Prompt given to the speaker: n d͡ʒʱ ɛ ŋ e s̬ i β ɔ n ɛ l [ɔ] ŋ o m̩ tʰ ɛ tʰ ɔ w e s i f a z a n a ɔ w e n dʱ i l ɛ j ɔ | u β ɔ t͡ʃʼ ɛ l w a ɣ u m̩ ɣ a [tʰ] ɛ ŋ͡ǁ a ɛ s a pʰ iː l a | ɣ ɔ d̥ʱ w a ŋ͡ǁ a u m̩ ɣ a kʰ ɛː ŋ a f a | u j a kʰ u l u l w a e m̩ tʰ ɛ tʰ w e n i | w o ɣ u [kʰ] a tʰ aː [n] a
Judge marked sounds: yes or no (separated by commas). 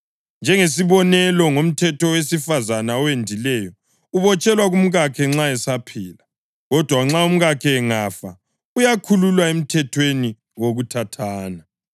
yes, no, no, yes